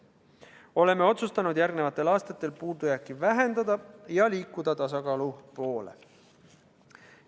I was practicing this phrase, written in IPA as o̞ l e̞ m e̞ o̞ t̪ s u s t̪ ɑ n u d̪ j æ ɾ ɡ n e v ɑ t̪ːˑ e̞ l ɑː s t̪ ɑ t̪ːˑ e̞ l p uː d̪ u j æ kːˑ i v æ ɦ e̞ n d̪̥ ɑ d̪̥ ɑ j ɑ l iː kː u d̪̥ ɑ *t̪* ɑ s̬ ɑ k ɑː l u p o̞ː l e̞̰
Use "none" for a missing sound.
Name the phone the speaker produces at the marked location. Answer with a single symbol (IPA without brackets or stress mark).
t̪